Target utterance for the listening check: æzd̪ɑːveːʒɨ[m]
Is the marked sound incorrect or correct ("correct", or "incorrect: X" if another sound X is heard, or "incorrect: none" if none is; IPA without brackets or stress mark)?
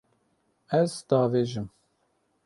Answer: correct